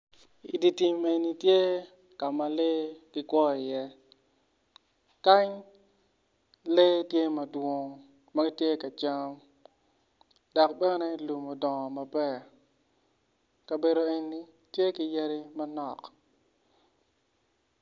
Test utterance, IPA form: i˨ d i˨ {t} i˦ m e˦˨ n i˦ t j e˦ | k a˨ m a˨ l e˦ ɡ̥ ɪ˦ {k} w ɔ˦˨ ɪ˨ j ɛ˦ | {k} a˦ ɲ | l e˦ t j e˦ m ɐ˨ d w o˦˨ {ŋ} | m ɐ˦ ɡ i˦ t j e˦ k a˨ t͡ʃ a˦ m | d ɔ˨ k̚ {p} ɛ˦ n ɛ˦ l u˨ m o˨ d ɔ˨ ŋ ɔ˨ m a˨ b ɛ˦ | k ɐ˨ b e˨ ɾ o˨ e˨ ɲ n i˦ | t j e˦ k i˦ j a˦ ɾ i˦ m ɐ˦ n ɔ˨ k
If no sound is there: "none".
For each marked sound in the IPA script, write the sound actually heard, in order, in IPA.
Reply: t, k, k, ŋ, b

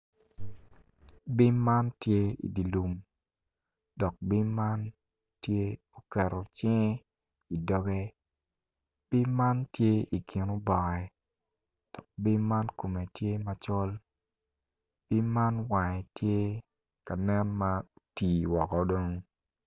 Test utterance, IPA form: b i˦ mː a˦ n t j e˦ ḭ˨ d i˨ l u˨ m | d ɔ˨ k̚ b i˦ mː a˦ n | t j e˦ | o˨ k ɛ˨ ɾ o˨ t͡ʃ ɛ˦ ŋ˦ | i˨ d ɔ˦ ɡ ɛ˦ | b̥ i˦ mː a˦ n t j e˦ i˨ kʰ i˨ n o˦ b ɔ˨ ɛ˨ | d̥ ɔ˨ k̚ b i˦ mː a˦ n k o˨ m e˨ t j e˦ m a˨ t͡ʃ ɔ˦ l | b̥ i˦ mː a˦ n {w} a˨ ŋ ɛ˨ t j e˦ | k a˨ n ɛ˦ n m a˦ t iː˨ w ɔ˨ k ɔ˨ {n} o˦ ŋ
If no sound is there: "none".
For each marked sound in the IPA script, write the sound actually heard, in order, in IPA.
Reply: w, d

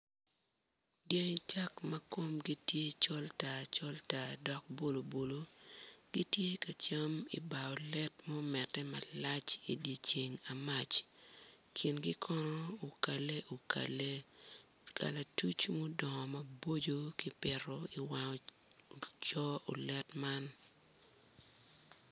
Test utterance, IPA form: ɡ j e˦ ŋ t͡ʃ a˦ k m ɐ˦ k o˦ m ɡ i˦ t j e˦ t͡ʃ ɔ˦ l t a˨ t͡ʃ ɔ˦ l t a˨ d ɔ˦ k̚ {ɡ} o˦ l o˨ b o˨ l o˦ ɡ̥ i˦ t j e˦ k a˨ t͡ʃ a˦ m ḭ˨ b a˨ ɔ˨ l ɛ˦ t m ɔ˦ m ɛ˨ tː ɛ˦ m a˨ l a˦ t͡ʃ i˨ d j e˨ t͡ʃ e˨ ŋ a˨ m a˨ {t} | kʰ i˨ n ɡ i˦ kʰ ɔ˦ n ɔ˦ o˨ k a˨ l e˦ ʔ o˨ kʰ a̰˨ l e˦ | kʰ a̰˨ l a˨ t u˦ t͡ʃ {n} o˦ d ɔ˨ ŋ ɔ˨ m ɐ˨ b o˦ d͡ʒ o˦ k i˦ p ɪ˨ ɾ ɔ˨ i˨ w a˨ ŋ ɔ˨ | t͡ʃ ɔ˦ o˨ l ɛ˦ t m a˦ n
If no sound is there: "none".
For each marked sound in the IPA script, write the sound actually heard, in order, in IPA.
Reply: b, t͡ʃ, m

